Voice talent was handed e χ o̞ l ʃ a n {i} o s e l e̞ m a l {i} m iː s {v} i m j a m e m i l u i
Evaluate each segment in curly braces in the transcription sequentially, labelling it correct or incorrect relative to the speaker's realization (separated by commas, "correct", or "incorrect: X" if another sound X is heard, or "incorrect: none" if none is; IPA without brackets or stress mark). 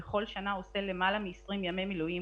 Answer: incorrect: a, incorrect: a, incorrect: ʁ